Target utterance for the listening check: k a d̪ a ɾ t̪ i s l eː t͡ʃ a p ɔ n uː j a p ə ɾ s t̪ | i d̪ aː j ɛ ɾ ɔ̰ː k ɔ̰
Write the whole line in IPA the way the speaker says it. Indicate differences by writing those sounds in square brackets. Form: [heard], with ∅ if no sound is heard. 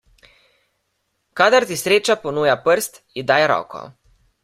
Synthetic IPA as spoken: k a d̪ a ɾ t̪ i s [ɾ] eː t͡ʃ a p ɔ n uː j a p ə ɾ s t̪ | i d̪ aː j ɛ ɾ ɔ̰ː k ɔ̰